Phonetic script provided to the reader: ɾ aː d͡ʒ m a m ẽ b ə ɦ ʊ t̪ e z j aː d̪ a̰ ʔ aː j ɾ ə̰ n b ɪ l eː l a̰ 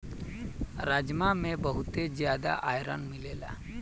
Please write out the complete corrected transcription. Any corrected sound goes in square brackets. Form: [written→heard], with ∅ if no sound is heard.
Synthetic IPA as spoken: ɾ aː d͡ʒ m a m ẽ b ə ɦ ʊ t̪ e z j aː d̪ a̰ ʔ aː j ɾ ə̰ n [b→m] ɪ l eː l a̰